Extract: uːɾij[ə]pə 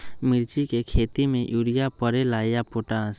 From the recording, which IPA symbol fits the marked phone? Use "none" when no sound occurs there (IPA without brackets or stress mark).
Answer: a